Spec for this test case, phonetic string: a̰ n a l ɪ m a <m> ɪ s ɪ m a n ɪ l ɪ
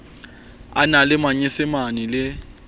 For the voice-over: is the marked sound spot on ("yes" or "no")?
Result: no